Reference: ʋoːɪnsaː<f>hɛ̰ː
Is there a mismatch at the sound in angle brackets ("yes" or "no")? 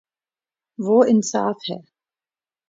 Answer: no